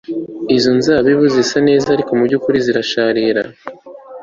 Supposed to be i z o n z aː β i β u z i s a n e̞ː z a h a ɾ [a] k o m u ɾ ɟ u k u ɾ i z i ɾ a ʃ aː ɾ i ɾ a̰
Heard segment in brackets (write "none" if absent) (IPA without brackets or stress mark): i